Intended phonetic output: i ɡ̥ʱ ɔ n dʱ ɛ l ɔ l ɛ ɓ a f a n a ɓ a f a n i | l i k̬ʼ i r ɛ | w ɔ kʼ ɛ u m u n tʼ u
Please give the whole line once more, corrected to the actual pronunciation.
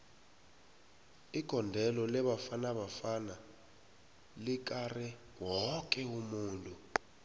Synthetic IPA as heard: i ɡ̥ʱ ɔ n dʱ ɛ l ɔ l ɛ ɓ a f a n a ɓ a f a n a | l i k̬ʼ a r ɛ | w ɔ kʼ ɛ u m uː n tʼ u